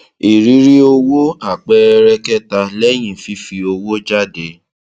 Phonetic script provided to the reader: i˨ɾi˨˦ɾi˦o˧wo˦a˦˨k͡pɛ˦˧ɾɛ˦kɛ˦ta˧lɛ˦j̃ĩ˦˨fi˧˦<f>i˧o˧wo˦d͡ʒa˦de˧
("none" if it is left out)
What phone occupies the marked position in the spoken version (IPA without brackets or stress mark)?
f